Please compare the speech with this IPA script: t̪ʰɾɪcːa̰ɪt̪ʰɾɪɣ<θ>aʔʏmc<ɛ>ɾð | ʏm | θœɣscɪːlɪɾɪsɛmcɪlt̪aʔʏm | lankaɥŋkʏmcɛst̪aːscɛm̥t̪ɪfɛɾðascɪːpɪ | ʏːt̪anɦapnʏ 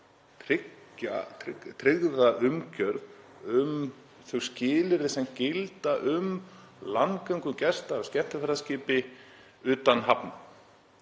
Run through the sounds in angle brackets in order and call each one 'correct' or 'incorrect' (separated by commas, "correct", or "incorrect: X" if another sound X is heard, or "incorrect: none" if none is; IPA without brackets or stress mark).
incorrect: ð, incorrect: œ